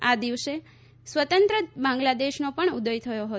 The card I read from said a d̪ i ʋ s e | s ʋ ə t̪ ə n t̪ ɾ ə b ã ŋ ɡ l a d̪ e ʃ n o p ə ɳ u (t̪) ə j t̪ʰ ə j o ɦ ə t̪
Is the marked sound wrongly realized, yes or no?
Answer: yes